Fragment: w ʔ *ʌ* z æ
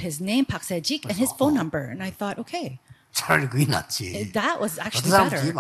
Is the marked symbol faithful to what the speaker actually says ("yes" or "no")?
yes